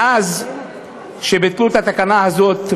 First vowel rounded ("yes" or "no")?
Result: no